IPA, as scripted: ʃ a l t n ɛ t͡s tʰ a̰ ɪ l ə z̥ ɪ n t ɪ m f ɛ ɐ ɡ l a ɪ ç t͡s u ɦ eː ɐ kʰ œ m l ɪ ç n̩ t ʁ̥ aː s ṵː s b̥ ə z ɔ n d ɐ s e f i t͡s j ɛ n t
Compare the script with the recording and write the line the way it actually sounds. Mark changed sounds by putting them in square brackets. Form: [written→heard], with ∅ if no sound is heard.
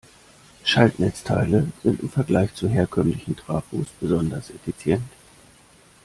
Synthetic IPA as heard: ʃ a l t n ɛ t͡s tʰ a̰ ɪ l ə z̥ ɪ n t ɪ m f ɛ ɐ ɡ l a ɪ ç t͡s u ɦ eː ɐ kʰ œ m l ɪ ç n̩ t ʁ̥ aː [s→f] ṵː s b̥ ə z ɔ n d ɐ s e f i t͡s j ɛ n t